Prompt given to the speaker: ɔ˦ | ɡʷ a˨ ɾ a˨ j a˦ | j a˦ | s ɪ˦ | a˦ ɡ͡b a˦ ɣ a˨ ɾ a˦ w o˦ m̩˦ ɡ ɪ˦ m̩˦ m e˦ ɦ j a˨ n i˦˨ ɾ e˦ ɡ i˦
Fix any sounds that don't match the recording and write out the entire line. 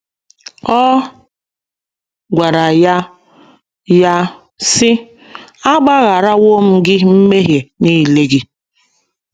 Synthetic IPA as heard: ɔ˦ | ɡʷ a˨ ɾ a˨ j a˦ | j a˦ | s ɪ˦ | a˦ ɡ͡b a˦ ɣ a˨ ɾ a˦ w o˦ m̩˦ ɡ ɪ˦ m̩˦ m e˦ ɦ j e˨ n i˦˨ l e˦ ɡ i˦